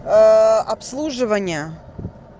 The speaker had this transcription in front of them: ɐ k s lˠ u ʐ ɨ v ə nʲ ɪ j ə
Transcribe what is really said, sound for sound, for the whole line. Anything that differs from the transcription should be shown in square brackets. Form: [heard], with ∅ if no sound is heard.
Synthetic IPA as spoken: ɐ [p] s lˠ u ʐ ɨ v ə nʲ ɪ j ə